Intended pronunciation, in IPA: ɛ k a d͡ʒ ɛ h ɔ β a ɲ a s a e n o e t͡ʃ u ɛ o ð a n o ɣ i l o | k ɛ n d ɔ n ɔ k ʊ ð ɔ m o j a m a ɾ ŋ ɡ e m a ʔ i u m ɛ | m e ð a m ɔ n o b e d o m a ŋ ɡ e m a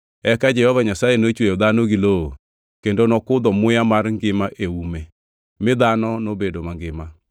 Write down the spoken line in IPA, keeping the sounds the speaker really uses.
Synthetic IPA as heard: ɛ k a d͡ʒ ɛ h ɔ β a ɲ a s a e n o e t͡ʃ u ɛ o ð a n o ɣ i l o | k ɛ n d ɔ n ɔ k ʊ ð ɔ m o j a m a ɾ ŋ ɡ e m a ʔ e u m ɛ | m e ð a n ɔ n o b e d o m a ŋ ɡ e m a